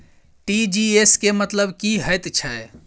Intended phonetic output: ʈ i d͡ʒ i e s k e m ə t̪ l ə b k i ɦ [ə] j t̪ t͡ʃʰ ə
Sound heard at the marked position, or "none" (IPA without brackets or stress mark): ə